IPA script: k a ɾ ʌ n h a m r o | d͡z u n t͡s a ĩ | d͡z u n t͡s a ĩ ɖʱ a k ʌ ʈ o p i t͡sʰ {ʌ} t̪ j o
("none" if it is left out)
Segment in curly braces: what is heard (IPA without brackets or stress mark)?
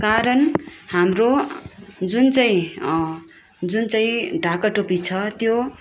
ʌ